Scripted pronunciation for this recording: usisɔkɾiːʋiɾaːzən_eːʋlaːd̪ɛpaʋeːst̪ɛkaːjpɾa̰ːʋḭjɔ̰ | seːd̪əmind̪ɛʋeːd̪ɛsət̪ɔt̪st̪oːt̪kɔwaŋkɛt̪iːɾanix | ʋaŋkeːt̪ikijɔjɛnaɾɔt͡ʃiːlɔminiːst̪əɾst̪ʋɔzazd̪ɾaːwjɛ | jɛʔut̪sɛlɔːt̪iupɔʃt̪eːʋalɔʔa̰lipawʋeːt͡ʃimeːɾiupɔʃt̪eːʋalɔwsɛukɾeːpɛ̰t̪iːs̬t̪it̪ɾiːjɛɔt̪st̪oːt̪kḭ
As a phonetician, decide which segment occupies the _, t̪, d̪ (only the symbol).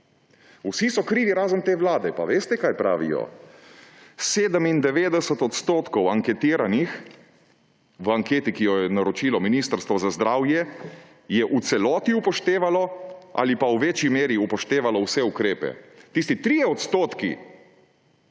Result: t̪